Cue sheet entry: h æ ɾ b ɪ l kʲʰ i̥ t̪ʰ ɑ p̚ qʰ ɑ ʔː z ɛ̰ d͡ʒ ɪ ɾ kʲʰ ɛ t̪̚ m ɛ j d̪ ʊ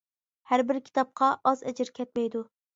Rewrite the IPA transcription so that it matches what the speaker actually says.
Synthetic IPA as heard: h æ ɾ b ɪ ɾ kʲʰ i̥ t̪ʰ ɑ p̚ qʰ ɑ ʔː z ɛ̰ d͡ʒ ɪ ɾ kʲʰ ɛ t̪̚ m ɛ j d̪ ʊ